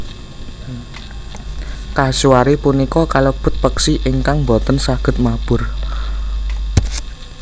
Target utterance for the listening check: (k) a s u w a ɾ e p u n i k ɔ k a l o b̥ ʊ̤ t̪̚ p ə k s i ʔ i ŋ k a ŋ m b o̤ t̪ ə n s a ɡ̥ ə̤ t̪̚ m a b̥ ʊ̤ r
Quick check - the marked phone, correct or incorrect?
correct